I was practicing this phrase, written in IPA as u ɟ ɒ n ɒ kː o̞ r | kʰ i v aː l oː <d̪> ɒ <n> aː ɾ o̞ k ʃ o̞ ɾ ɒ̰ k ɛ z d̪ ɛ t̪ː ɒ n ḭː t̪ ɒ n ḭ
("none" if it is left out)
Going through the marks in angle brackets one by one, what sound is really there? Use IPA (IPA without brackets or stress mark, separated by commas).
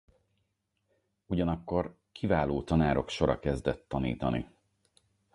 t̪, n